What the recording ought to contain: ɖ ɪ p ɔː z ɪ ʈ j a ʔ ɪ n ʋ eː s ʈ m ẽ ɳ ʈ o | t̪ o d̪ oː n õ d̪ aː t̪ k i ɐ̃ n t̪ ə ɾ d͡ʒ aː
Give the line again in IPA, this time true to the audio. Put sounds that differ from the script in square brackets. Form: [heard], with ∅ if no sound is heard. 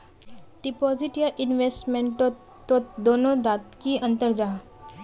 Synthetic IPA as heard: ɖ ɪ p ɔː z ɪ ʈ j a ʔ ɪ n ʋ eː s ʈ m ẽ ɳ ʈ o | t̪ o d̪ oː n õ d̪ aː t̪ k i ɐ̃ n t̪ ə ɾ d͡ʒ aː